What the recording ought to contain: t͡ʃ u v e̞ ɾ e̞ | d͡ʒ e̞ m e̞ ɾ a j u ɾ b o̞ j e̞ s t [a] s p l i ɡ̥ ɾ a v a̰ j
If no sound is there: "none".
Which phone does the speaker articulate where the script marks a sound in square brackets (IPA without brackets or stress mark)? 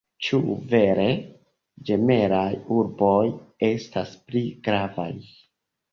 a